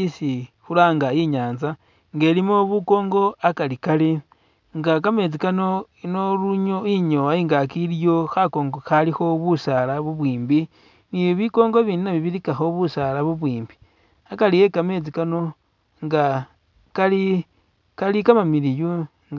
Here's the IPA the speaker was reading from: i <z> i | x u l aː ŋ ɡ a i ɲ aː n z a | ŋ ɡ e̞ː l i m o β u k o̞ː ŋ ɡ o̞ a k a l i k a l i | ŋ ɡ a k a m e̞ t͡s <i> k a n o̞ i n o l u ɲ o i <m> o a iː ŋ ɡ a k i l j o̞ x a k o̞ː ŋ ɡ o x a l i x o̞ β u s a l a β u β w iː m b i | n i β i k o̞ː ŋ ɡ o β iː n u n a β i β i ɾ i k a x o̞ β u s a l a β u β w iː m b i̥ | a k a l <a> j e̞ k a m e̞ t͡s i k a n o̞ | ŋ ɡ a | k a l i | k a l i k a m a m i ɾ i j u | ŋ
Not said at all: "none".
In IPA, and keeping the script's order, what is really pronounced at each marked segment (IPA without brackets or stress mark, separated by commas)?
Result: s, i, ɲ, i